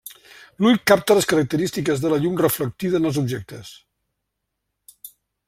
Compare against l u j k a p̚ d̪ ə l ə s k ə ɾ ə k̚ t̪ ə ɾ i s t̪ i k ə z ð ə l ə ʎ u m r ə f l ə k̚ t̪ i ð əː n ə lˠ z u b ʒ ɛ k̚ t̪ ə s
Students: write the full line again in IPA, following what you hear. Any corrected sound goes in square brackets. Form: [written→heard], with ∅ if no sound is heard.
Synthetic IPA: l u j k a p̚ [d̪→t̪] ə l ə s k ə ɾ ə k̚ t̪ ə ɾ i s t̪ i k ə z ð ə l ə ʎ u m r ə f l ə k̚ t̪ i ð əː n ə lˠ z u b ʒ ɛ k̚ t̪ ə s